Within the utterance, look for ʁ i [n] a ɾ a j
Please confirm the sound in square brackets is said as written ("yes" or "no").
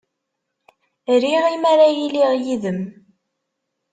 no